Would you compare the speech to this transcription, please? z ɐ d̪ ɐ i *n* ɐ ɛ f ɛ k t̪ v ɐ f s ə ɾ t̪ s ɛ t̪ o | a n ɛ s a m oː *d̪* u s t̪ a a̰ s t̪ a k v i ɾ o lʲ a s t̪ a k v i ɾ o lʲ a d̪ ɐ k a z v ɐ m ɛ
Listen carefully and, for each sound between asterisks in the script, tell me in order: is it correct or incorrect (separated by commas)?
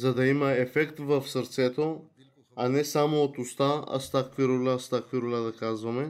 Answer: incorrect, incorrect